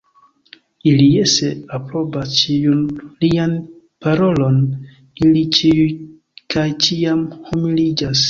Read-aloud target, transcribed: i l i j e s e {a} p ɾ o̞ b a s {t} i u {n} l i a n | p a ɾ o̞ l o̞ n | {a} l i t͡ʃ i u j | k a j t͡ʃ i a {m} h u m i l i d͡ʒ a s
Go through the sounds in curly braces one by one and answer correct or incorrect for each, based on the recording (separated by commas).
correct, incorrect, correct, incorrect, correct